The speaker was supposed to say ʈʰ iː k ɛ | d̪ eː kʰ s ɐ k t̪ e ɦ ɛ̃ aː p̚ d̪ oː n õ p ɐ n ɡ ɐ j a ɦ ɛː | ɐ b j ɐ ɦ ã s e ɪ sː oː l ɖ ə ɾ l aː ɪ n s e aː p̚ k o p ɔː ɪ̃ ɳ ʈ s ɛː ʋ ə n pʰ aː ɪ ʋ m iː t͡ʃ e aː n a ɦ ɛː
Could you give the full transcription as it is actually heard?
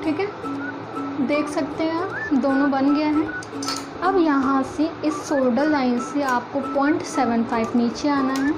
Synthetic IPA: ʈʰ iː k ɛ | d̪ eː kʰ s ɐ k t̪ e ɦ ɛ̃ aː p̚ d̪ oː n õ b ɐ n ɡ ɐ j a ɦ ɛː | ɐ b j ɐ ɦ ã s e ɪ sː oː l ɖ ə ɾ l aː ɪ n s e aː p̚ k o p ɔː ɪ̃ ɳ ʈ s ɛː ʋ ə n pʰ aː ɪ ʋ n iː t͡ʃ e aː n a ɦ ɛː